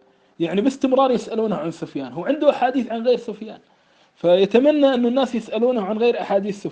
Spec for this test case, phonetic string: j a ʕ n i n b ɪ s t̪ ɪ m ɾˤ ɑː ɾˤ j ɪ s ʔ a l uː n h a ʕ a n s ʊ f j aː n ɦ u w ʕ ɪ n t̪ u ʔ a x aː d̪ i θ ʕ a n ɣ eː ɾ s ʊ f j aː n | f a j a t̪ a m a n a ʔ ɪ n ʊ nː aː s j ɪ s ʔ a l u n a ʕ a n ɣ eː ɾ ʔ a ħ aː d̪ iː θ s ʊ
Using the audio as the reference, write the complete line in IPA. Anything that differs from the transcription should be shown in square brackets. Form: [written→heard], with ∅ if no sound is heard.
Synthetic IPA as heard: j a ʕ n i [n→∅] b ɪ s t̪ ɪ m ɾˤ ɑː ɾˤ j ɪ s ʔ a l uː n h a ʕ a n s ʊ f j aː n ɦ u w ʕ ɪ n [t̪→d̪] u ʔ a [x→ħ] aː d̪ [i→iː] θ ʕ a n ɣ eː ɾ s ʊ f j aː n | f a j a t̪ a m a [n→nː] a ʔ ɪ [n→nː] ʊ nː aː s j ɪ s ʔ a l [u→uː] n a ʕ a n ɣ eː ɾ ʔ a ħ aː d̪ iː θ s ʊ